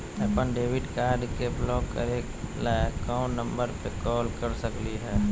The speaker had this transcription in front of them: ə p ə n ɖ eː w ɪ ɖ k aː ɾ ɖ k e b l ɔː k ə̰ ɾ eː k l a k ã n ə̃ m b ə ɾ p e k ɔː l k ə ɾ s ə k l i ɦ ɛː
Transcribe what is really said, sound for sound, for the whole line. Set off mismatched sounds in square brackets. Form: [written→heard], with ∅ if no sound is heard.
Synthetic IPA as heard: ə p ə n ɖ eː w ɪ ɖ k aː ɾ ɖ k e b l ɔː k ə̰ ɾ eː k l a k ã n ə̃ m b ə ɾ p e k ɔː l k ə ɾ s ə k l i ɦ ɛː